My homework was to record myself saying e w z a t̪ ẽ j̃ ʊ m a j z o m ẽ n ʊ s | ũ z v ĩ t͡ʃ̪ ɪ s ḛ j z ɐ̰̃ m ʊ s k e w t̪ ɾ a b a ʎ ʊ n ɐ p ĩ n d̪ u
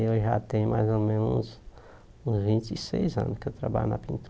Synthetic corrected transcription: e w ʒ a t̪ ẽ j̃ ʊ m a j z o m ẽ n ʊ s | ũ z v ĩ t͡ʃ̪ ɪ s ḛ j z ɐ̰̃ n ʊ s k e w t̪ ɾ a b a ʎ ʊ n ɐ p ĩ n t̪ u